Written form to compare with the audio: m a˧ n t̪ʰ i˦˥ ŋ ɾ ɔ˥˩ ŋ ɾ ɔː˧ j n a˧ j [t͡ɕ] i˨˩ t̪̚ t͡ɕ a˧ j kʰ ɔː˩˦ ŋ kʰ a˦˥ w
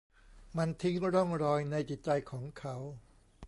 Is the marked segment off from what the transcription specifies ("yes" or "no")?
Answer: no